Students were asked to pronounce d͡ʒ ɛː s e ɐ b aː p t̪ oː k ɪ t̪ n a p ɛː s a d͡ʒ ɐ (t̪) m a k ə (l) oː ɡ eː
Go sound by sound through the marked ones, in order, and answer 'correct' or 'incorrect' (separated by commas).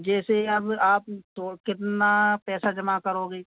incorrect, incorrect